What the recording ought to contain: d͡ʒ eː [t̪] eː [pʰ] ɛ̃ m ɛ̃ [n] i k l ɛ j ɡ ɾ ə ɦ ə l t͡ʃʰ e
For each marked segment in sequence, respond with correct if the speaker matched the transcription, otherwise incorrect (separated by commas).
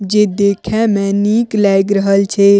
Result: incorrect, incorrect, correct